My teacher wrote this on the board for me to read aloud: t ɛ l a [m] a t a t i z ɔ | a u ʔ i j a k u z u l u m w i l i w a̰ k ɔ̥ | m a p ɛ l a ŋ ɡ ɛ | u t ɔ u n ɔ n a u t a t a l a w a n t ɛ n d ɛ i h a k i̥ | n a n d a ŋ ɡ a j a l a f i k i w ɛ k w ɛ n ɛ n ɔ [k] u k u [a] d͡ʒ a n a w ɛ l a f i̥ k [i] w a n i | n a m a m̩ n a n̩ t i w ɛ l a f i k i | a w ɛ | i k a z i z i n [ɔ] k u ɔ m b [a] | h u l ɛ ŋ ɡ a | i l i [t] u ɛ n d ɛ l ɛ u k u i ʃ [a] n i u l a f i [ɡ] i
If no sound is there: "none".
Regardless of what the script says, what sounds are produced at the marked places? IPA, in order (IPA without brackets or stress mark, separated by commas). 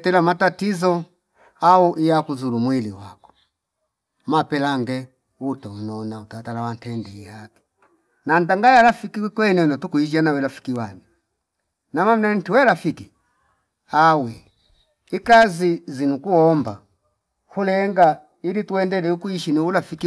m, t, i, i, u, a, t, i, k